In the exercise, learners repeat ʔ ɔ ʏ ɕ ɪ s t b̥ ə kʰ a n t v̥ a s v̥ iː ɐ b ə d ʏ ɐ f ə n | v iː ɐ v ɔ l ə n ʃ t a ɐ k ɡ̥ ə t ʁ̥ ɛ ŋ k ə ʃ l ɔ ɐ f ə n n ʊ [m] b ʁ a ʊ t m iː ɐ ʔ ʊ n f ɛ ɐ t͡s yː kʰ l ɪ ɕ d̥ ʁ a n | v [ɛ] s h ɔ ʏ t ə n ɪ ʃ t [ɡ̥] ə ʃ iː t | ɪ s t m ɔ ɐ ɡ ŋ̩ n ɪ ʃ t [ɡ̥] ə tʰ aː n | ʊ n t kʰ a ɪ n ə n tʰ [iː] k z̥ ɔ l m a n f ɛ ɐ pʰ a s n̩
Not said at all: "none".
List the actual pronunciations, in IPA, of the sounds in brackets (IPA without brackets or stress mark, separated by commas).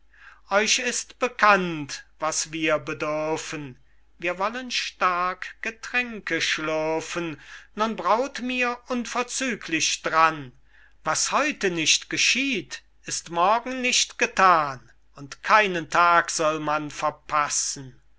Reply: n, a, ɡ̥, ɡ̥, aː